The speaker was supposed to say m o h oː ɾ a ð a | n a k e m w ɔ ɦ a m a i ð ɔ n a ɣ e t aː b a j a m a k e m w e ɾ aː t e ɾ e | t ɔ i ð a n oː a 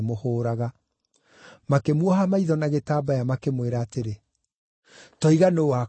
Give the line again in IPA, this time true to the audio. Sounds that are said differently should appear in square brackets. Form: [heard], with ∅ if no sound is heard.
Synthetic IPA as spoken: m o h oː ɾ a [ɣ] a | [m] a k e m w ɔ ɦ a m a i ð ɔ n a ɣ e t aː b a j a m a k e m w e ɾ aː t e ɾ e | t ɔ i [ɣ] a n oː a